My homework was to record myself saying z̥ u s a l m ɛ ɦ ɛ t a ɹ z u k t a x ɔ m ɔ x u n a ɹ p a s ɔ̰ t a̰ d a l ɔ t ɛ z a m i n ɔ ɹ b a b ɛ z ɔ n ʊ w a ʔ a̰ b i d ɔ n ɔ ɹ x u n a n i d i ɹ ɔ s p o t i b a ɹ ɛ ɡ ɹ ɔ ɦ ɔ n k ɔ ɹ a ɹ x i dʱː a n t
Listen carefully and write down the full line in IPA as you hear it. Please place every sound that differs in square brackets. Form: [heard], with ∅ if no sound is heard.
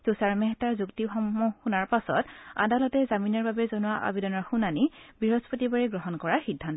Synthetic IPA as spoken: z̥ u s a [ɹ] m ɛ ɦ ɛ t a ɹ z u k t [i] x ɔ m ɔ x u n a ɹ p a s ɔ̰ t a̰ d a l ɔ t ɛ z a m i n ɔ ɹ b a b ɛ z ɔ n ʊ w a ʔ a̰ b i d ɔ n ɔ ɹ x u n a n i [b] i ɹ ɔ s p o t i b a ɹ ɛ ɡ ɹ ɔ ɦ ɔ n k ɔ ɹ a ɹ x i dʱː a n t